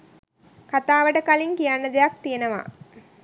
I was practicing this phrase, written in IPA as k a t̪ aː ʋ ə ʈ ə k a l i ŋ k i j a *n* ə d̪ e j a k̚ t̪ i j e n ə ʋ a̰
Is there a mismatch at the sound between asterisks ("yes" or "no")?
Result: yes